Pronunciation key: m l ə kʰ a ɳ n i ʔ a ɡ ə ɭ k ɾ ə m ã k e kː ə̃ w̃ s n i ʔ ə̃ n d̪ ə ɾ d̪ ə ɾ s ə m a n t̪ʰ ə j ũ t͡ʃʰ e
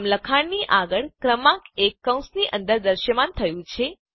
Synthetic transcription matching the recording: m l ə kʰ a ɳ n i ʔ a ɡ ə ɭ k ɾ ə m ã k e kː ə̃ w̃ s n i ʔ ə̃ n d̪ ə ɾ d̪ ə ɾ ʃ ə m a n t̪ʰ ə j ũ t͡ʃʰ e